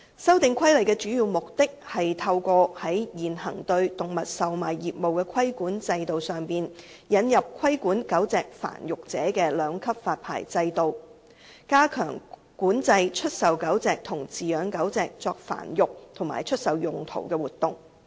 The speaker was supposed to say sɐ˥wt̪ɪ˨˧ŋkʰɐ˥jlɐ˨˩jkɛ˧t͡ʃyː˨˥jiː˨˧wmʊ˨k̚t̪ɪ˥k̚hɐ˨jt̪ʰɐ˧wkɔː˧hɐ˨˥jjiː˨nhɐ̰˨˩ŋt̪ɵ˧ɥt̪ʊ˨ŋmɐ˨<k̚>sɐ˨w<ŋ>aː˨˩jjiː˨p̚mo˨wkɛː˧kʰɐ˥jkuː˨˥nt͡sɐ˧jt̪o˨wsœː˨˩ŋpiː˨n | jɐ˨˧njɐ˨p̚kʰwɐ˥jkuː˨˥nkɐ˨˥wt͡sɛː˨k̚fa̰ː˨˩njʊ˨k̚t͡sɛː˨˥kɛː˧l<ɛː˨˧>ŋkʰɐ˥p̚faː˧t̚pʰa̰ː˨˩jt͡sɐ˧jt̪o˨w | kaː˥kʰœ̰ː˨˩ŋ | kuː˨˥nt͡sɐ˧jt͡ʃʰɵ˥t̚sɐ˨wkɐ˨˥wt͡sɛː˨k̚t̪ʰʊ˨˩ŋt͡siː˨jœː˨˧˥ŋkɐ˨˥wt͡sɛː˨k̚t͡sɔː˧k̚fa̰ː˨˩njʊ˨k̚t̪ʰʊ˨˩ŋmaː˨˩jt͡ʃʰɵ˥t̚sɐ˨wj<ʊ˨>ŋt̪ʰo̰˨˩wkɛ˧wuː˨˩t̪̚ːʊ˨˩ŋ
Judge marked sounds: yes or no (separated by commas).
no, no, no, yes